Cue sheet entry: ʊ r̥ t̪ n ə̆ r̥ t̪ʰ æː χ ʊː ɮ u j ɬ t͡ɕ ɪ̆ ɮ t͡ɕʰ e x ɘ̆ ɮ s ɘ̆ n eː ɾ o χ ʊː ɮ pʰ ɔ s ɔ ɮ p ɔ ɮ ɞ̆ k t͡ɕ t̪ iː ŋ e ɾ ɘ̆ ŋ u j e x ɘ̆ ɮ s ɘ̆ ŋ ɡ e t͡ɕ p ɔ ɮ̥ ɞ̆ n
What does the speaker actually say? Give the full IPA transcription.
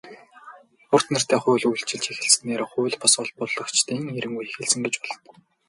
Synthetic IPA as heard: ʊ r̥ t̪ n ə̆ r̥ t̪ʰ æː χ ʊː ɮ u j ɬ t͡ɕ ɪ̆ ɮ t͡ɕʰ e x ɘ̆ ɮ s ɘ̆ n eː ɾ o χ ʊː ɮ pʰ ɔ s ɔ ɮ p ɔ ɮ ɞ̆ k t͡ɕ t̪ iː ŋ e ɾ ɘ̆ ŋ u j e x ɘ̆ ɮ s ɘ̆ ŋ ɡ e t͡ɕ p ɔ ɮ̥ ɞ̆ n